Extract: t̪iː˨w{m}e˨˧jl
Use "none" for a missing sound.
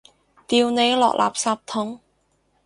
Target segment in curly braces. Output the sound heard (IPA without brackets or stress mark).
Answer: n